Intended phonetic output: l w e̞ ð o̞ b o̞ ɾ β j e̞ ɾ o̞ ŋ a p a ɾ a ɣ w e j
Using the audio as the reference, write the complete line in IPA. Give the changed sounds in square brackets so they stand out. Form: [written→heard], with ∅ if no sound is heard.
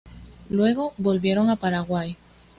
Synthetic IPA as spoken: l w e̞ [ð→ɣ] o̞ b o̞ [ɾ→l] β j e̞ ɾ o̞ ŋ a p a ɾ a ɣ w [e→a] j